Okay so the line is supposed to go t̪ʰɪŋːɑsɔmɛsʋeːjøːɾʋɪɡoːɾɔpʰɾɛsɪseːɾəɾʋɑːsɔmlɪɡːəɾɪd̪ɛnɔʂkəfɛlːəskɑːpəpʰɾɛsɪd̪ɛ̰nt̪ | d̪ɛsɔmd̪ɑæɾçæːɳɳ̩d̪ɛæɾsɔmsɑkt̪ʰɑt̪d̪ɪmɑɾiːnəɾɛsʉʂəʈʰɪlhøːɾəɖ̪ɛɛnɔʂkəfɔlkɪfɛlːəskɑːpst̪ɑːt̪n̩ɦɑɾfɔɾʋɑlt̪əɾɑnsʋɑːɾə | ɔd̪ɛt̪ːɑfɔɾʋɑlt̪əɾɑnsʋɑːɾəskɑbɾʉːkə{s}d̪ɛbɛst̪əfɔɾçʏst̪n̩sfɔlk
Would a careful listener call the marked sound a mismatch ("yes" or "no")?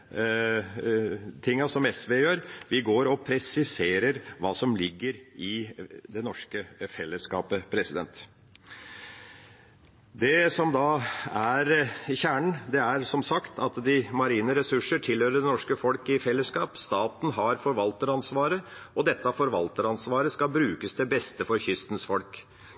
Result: no